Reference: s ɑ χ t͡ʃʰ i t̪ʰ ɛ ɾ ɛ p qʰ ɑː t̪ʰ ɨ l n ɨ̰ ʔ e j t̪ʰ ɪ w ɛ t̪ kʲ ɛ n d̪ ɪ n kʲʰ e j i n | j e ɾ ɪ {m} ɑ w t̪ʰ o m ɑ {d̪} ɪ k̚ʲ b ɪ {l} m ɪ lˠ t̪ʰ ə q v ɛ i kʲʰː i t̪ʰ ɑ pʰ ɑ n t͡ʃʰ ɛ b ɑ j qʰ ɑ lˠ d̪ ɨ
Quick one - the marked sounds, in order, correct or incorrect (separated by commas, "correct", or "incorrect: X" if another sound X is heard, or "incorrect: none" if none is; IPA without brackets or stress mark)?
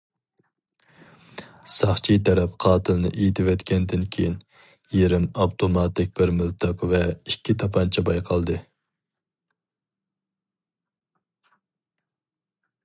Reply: correct, incorrect: t̪, incorrect: ɾ